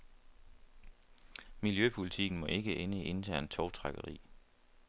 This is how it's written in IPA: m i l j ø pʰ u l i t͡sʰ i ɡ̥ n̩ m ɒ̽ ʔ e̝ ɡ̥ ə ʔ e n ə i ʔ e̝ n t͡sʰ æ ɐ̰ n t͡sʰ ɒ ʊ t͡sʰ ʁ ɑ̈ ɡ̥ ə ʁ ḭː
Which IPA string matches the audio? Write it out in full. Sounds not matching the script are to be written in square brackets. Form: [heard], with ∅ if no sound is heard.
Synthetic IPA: m i l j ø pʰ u l i t͡sʰ i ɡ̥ n̩ m ɒ̽ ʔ e̝ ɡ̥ ə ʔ e n ə i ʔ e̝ n t͡sʰ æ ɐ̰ n t͡sʰ ɒ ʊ t͡sʰ ʁ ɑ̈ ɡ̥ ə ʁ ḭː